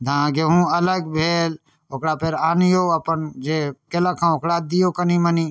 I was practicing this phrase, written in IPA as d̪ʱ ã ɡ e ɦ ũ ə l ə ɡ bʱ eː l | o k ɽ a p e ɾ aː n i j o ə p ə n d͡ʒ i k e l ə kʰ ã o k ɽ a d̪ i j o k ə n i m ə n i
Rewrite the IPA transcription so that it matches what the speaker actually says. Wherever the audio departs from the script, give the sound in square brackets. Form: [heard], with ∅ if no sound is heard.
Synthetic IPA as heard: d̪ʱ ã ɡ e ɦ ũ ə l ə ɡ bʱ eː l | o k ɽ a p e ɾ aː n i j o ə p ə n d͡ʒ [e] k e l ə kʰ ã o k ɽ a d̪ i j o k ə n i m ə n i